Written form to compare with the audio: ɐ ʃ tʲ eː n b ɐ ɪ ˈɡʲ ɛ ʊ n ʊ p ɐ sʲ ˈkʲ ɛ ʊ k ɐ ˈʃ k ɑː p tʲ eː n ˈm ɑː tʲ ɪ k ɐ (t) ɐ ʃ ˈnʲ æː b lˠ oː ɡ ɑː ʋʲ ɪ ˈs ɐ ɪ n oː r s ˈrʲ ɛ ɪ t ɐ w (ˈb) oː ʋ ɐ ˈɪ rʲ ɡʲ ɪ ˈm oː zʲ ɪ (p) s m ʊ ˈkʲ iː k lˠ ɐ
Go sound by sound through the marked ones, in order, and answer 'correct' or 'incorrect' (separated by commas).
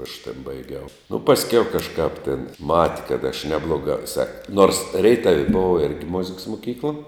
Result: correct, correct, incorrect